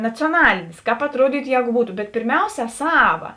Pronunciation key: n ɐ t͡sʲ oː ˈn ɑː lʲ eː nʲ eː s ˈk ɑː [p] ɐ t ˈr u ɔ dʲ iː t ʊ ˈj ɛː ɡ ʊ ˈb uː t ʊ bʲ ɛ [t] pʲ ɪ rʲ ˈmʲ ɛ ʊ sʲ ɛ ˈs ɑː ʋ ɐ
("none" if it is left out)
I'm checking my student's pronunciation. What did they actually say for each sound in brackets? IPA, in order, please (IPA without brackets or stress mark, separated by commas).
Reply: p, t